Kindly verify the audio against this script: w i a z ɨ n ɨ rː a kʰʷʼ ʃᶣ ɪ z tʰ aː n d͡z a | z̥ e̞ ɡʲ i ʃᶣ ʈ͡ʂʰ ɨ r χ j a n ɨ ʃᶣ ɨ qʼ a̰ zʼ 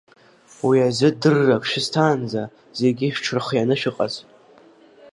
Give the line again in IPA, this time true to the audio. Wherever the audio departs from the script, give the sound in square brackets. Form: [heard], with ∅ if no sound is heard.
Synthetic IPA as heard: w i a z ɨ [d] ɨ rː a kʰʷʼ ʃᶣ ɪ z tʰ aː n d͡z a | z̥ e̞ ɡʲ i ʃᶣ ʈ͡ʂʰ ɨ r χ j a n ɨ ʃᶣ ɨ qʼ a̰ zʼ